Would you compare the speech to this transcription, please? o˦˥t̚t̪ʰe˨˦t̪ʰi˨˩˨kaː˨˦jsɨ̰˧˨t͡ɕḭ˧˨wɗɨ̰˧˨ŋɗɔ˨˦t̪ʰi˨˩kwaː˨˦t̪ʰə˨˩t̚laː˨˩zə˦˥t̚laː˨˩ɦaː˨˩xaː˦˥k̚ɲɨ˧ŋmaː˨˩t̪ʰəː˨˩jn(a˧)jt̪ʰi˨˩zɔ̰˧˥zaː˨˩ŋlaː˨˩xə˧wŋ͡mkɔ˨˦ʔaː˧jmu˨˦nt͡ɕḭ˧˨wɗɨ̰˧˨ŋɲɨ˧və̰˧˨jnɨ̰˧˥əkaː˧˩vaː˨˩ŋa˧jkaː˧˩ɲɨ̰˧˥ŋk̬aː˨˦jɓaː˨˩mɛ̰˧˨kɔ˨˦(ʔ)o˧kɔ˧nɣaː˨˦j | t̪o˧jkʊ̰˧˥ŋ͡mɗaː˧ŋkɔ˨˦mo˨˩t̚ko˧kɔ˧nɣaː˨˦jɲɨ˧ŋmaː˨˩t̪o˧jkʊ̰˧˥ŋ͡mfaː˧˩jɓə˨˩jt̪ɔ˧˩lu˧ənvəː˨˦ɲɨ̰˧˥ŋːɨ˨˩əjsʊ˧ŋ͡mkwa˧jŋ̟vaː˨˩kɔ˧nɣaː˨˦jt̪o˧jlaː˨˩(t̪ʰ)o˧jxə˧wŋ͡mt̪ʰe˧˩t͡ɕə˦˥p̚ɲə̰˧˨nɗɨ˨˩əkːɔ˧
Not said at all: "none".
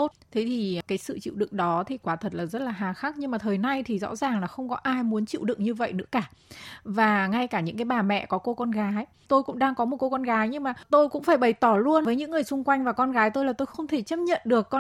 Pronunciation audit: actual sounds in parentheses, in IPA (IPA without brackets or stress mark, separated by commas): a˧, k, t̪